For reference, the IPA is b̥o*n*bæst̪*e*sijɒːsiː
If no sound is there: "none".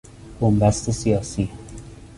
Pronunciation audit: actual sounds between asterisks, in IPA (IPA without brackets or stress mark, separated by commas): m, e